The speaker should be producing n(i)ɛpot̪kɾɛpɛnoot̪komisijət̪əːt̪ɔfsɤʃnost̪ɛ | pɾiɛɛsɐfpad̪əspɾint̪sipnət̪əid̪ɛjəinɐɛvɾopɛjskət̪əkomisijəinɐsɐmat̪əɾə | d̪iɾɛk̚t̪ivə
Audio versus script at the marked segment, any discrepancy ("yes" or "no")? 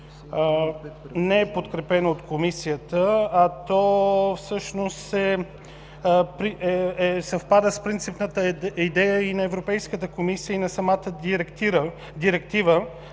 yes